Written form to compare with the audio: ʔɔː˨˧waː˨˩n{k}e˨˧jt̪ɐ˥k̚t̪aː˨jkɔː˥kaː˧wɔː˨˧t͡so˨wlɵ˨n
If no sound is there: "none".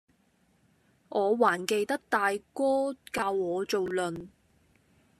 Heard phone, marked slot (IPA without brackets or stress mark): k